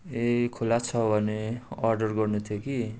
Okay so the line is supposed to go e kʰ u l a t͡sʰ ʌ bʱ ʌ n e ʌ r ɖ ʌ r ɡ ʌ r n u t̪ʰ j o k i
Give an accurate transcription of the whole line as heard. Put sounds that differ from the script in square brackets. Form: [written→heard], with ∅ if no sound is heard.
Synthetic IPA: e kʰ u l a t͡sʰ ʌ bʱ ʌ n e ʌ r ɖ ʌ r ɡ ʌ r n u t̪ʰ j o k i